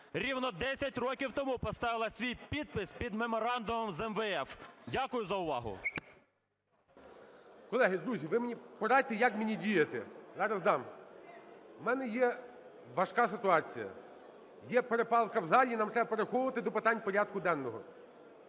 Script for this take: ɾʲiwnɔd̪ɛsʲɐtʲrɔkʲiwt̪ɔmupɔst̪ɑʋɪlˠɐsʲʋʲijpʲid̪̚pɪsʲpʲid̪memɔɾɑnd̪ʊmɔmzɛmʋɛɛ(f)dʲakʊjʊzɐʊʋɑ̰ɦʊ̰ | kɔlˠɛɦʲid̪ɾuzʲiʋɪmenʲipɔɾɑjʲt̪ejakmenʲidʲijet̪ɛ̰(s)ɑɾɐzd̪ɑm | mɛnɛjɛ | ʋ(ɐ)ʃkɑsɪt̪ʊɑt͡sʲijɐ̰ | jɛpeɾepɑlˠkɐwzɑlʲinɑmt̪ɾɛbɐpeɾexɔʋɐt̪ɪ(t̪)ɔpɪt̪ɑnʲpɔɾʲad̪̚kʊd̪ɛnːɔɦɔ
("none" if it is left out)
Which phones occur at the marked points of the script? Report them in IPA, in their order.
f, z, ɐ, d̪

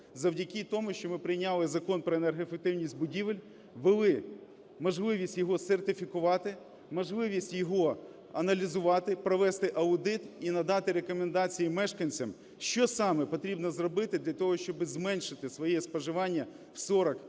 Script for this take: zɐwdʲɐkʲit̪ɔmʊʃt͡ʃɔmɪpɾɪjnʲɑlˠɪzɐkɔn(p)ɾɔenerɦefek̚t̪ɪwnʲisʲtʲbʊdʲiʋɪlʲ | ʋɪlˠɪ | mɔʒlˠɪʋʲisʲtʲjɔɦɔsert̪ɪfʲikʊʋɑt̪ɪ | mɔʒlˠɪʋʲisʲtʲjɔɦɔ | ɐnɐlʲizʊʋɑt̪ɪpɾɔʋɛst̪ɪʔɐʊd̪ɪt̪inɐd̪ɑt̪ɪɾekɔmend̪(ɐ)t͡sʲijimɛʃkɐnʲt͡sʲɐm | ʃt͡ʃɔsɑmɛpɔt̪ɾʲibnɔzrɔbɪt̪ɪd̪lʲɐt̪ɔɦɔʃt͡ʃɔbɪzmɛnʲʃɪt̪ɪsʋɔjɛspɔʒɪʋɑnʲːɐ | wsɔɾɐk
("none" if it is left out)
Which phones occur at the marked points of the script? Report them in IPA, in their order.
p, ɑ

